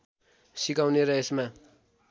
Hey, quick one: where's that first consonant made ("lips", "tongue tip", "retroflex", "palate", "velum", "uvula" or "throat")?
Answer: tongue tip